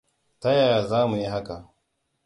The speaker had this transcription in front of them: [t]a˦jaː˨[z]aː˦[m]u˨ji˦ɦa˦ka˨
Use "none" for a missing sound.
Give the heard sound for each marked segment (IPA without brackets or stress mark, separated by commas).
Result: t, z, m